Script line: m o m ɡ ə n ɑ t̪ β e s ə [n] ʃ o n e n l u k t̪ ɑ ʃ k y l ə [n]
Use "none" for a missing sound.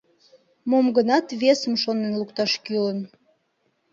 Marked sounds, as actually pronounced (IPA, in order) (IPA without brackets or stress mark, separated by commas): m, n